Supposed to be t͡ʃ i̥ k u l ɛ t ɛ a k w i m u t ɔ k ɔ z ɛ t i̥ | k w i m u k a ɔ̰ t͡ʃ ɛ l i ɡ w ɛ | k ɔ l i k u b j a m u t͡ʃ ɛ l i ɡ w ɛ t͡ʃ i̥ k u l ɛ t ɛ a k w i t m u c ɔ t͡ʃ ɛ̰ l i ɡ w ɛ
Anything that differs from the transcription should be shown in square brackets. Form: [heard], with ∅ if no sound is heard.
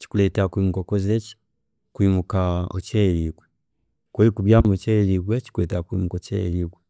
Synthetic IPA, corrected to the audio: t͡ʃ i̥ k u l ɛ t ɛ a k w i m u [k] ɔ k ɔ z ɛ [t͡ʃ] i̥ | k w i m u k a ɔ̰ t͡ʃ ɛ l i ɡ w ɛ | k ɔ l i k u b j a m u t͡ʃ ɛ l i ɡ w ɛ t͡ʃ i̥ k u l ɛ t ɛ a k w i [∅] m u [k] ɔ t͡ʃ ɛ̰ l i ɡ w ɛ

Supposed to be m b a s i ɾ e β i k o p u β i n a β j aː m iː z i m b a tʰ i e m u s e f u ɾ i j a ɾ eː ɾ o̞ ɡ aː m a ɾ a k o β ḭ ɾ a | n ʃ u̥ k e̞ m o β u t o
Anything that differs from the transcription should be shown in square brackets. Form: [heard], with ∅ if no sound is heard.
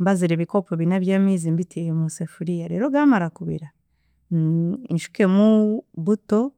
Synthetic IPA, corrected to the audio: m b a [z] i ɾ e β i k o p [o] β i n a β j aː m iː z i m b [i] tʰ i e m u s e f u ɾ i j a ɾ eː ɾ o̞ ɡ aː m a ɾ a k [u] β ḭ ɾ a | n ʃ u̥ k e̞ m [u] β u t o

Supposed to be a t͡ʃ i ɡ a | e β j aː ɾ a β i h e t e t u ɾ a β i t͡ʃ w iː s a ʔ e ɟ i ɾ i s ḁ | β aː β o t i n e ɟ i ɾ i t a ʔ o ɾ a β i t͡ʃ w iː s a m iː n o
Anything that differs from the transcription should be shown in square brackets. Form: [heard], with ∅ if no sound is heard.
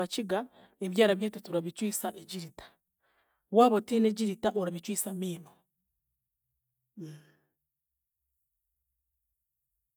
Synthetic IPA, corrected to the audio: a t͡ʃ i ɡ a | e β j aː ɾ a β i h e t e t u ɾ a β i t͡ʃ w iː s a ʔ e ɟ i ɾ i [t] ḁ | [w] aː β o t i n e ɟ i ɾ i t a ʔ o ɾ a β i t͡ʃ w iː s a m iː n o

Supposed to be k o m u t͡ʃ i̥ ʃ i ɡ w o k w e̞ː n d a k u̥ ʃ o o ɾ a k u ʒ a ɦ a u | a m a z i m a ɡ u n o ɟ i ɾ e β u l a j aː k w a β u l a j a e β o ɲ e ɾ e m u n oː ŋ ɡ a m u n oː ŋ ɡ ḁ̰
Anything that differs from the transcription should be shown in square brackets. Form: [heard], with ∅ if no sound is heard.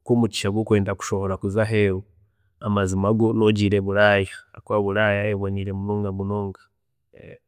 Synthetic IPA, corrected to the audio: k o m u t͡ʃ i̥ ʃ [a] ɡ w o k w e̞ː n d a k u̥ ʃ o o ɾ a k u [z] a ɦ [e] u | a m a z i m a ɡ [o] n o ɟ i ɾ e β u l a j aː k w a β u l a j a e β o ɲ [i] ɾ e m u n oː ŋ ɡ a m u n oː ŋ ɡ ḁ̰

